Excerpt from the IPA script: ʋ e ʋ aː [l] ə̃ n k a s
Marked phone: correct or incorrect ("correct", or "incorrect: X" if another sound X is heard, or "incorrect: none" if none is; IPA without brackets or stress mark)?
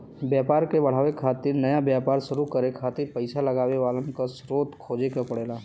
correct